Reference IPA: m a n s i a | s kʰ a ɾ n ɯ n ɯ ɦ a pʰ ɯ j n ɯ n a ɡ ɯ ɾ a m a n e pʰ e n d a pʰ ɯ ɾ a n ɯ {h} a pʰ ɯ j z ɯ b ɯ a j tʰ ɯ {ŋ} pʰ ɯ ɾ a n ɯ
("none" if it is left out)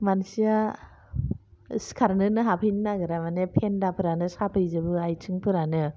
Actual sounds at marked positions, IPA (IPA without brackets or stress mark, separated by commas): s, ŋ